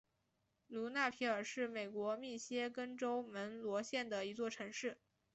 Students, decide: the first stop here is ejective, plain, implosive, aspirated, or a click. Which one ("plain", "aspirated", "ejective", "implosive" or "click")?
aspirated